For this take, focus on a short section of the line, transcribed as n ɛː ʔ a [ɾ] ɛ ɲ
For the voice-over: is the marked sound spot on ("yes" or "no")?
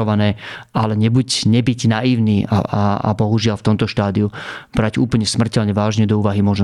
no